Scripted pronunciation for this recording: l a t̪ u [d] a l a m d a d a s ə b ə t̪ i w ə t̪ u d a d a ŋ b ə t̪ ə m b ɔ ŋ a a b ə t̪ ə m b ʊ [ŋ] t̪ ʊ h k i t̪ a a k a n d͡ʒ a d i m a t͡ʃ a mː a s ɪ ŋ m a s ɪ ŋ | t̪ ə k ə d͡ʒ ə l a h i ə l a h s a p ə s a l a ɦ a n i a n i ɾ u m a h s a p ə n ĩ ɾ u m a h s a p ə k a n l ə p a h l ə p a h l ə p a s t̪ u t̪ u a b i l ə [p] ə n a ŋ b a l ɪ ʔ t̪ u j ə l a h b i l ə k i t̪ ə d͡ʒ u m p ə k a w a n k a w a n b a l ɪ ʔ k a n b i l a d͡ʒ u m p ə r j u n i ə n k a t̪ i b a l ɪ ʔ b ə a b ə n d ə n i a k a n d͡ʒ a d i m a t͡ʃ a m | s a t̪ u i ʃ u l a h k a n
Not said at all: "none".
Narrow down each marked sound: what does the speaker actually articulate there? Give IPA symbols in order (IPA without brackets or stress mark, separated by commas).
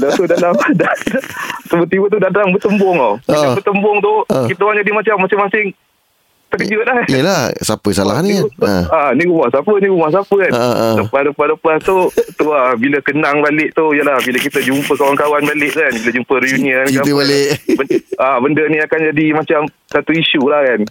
d, ŋ, k